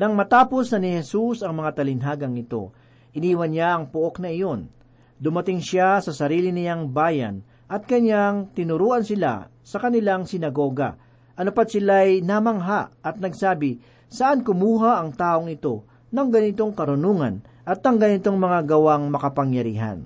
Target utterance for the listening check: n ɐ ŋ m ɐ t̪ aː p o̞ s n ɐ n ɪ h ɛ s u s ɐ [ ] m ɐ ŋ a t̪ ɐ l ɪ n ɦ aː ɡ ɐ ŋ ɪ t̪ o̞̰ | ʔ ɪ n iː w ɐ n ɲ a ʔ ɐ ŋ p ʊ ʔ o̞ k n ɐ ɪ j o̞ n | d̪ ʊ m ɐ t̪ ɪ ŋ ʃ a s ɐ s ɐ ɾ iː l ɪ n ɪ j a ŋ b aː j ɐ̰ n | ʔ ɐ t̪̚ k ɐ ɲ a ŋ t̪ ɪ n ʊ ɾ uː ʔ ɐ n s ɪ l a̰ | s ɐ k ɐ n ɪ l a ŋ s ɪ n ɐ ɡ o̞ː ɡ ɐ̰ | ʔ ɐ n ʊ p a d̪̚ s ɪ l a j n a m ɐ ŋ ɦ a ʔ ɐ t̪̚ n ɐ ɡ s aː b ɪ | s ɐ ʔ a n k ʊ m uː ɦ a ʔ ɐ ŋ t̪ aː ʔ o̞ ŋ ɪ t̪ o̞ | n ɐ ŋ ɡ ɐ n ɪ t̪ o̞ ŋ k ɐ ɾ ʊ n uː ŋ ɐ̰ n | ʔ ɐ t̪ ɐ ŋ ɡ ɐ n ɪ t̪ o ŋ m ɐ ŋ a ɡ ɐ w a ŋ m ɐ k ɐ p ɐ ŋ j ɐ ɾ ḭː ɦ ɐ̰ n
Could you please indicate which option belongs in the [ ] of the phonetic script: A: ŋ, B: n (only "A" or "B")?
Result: A